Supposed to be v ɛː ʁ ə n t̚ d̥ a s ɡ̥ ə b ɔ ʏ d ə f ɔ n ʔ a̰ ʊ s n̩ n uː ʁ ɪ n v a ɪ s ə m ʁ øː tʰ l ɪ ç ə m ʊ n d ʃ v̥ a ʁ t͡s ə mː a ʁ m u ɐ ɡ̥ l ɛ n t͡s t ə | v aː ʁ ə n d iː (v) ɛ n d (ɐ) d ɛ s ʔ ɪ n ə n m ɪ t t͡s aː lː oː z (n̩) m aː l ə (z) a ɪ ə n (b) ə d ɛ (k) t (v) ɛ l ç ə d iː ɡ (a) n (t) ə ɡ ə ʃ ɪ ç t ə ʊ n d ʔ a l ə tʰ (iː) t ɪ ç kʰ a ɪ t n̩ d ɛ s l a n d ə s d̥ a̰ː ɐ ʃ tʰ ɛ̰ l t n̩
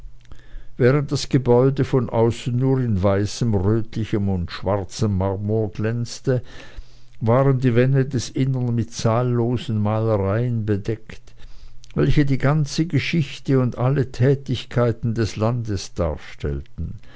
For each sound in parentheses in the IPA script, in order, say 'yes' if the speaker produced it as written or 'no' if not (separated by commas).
yes, no, yes, no, yes, yes, yes, yes, no, no